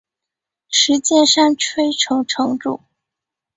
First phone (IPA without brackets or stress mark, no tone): ʂ